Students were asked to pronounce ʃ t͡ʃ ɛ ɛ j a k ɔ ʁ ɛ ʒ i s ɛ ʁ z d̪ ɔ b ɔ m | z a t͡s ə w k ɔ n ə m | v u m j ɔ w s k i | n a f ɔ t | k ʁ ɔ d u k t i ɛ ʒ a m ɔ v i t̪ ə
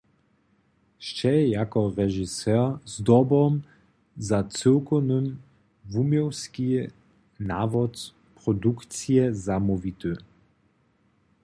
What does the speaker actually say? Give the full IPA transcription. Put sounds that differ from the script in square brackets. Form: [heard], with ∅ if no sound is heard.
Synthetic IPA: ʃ t͡ʃ ɛ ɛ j a k ɔ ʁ ɛ ʒ i s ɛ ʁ z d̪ ɔ b ɔ m | z a t͡s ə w k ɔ n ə m | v u m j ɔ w s k i | n a [v] ɔ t | [p] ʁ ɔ d u k [t͡s] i ɛ [z] a m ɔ v i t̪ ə

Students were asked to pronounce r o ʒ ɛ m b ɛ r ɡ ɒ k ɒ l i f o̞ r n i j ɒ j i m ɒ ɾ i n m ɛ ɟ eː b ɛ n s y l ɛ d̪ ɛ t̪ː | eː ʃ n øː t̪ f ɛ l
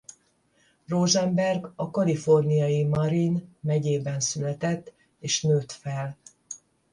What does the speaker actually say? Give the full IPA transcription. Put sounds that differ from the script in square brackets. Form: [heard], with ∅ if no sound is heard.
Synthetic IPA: r o ʒ ɛ m b ɛ r ɡ ɒ k ɒ l i f o̞ r n i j ɒ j i m ɒ ɾ i n m ɛ ɟ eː b ɛ n s y l ɛ [t̪] ɛ t̪ː | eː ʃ n øː t̪ f ɛ l

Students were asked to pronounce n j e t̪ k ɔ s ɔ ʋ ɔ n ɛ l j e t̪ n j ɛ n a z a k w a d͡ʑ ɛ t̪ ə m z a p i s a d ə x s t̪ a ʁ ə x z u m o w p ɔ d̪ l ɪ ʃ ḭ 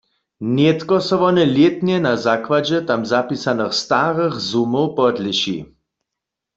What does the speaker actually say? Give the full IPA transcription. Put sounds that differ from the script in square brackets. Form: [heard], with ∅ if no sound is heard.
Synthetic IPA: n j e t̪ k ɔ s ɔ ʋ ɔ n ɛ l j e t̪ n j ɛ n a z a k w a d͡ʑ ɛ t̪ [a] m z a p i s a [n] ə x s t̪ a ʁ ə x z u m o w p ɔ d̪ l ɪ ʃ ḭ

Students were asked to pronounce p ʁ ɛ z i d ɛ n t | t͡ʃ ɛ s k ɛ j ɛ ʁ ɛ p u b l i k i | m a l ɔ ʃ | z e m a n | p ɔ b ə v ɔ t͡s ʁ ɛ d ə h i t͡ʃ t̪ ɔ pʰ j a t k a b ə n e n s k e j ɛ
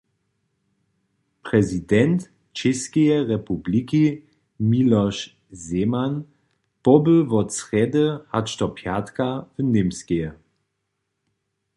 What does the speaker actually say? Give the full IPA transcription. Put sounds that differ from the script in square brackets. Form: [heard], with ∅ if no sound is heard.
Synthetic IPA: p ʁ ɛ z i d ɛ n t | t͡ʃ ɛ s k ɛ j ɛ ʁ ɛ p u b l i k i | m [i] l ɔ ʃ | z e m a n | p ɔ b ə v ɔ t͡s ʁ ɛ d ə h [a] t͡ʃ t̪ ɔ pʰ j a t k a [v] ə n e [m] s k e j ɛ

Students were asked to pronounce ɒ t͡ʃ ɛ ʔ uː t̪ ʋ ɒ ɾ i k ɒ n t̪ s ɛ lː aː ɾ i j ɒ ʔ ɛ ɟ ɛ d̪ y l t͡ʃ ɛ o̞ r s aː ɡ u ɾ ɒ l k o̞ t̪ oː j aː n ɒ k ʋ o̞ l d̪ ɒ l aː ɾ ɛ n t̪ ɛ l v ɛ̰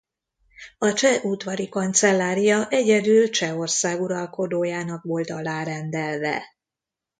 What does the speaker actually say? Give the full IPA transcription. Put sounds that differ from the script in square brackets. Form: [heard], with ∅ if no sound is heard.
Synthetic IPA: ɒ t͡ʃ ɛ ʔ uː t̪ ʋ ɒ ɾ i k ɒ n t̪ s ɛ lː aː ɾ i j ɒ ʔ ɛ ɟ ɛ d̪ y l t͡ʃ ɛ o̞ r s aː ɡ u ɾ ɒ l k o̞ [d̪] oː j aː n ɒ k ʋ o̞ l [t̪] ɒ l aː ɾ ɛ n [d̪] ɛ l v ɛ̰

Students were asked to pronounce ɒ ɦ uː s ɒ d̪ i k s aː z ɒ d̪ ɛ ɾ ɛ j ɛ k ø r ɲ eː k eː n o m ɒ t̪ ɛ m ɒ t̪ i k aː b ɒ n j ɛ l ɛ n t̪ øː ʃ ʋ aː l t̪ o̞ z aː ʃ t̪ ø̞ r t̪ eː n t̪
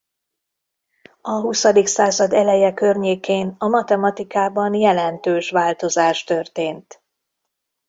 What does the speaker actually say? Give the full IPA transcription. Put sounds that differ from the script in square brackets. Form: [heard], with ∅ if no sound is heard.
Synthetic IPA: ɒ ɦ [u] s ɒ d̪ i k s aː z ɒ d̪ ɛ [l] ɛ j ɛ k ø r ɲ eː k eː n [ɒ] m ɒ t̪ ɛ m ɒ t̪ i k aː b ɒ n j ɛ l ɛ n t̪ øː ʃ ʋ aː l t̪ o̞ z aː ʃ t̪ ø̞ r t̪ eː n t̪

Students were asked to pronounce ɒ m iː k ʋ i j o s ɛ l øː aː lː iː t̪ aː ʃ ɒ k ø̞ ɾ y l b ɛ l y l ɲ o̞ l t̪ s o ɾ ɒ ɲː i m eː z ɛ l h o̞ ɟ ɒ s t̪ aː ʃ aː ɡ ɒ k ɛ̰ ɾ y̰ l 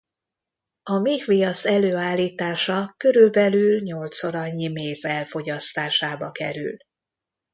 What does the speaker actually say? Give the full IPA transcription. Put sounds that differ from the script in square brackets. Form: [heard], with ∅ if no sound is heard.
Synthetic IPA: ɒ m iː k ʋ i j [ɒ] s ɛ l øː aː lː iː t̪ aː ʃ ɒ k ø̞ ɾ y l b ɛ l y l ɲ o̞ l t̪ s o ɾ ɒ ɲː i m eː z ɛ l [f] o̞ ɟ ɒ s t̪ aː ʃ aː [b] ɒ k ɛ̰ ɾ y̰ l

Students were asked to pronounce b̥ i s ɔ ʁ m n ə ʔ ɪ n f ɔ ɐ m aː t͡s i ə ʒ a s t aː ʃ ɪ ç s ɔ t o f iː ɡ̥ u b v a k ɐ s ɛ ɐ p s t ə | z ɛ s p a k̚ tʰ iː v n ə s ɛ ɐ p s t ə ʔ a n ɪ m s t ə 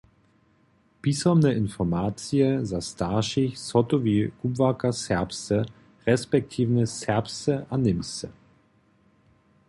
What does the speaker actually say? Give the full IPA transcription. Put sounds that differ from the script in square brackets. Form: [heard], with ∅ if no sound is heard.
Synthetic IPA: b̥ i s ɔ [∅] m n ə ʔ ɪ n f ɔ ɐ m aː t͡s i ə [z] a s t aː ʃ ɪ ç s ɔ t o [v] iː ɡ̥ u b v a k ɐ s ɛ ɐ p s t ə | [ʁ] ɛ s p [ɛ] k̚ tʰ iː v n ə s ɛ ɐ p s t ə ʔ a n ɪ m s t ə

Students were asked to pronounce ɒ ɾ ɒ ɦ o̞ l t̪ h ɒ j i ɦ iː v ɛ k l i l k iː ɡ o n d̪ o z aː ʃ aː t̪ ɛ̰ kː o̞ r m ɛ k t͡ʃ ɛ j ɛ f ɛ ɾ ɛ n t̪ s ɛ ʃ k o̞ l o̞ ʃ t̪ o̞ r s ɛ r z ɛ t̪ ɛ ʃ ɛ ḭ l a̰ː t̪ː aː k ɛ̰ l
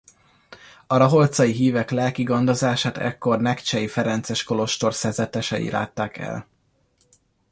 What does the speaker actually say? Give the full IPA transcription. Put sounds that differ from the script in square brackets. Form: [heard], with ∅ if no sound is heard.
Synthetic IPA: ɒ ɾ ɒ ɦ o̞ l t̪ [s] ɒ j i ɦ iː v ɛ k l [ɛ] l k [i] ɡ o n d̪ o z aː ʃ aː t̪ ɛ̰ kː o̞ r [n] ɛ k t͡ʃ ɛ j [i] f ɛ ɾ ɛ n t̪ s ɛ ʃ k o̞ l o̞ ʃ t̪ o̞ r s ɛ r z ɛ t̪ ɛ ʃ ɛ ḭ l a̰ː t̪ː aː k ɛ̰ l

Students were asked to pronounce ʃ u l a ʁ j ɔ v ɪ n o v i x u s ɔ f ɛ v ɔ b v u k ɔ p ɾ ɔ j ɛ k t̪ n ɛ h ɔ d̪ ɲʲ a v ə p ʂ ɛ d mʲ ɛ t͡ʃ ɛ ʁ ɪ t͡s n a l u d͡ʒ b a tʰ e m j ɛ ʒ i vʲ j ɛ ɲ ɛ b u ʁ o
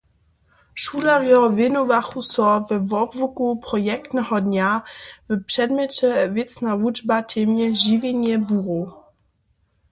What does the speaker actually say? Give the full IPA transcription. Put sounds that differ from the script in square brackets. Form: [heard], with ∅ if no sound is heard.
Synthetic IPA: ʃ u l a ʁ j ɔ v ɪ n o v [a] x u s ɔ [v] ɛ v ɔ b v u k [u] p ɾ ɔ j ɛ k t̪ n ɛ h ɔ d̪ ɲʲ a v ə p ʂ ɛ d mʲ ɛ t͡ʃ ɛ [v] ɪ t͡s n a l u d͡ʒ b a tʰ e m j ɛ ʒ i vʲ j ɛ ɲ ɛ b u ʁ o

